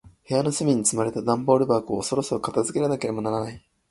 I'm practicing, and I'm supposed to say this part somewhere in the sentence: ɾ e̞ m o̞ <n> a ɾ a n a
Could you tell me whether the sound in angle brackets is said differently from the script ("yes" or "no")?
no